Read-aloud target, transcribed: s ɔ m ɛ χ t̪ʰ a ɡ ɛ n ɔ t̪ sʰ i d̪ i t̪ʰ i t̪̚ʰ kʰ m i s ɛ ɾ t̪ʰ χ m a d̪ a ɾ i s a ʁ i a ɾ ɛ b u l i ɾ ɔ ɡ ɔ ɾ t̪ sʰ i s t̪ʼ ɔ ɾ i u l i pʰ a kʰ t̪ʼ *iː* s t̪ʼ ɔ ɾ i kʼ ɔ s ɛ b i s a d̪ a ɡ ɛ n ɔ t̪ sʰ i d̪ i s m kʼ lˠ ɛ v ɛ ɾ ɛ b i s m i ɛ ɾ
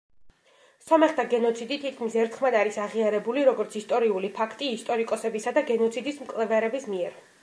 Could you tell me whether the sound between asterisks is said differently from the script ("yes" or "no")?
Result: no